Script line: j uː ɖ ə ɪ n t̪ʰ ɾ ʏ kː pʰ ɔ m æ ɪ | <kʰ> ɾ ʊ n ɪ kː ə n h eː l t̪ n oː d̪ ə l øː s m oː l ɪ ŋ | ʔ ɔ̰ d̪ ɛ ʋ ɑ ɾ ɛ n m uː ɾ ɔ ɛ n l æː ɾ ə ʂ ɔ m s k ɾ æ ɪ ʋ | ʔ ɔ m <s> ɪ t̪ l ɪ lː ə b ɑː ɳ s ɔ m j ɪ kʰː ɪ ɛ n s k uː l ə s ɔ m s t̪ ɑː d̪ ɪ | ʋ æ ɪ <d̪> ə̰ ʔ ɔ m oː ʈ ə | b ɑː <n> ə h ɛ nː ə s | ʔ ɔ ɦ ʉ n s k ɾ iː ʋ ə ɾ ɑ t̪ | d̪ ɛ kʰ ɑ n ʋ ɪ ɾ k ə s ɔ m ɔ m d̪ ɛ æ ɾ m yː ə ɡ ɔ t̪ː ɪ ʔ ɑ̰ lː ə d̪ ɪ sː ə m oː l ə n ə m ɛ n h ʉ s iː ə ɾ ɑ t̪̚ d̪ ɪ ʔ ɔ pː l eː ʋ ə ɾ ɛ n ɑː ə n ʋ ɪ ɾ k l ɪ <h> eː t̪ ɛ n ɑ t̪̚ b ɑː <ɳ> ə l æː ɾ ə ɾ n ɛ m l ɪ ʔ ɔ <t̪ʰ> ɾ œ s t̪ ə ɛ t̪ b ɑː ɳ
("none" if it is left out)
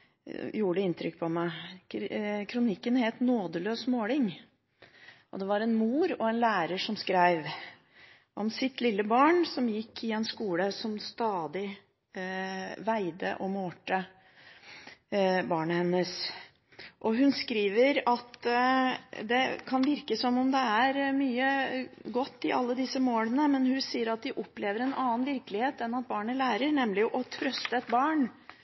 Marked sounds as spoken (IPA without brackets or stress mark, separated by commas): kʰ, s, d̪, ɳ, h, ɳ, t̪ʰ